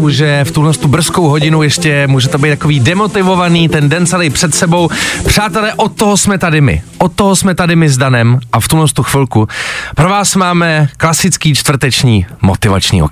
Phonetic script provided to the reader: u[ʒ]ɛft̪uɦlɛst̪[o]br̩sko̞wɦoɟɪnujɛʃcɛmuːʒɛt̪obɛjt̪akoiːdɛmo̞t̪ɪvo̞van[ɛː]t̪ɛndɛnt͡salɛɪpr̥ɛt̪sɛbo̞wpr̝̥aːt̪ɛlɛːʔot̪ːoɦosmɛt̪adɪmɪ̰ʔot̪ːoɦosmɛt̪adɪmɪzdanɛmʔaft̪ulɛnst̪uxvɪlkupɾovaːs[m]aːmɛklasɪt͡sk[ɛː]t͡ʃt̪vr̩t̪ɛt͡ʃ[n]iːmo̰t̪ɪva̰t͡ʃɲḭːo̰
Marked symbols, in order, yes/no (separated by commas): yes, no, no, yes, no, no